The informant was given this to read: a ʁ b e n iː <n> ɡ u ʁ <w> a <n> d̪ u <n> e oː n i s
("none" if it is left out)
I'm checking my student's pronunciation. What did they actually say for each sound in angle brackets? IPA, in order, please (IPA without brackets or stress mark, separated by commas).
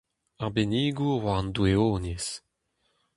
none, w, n, none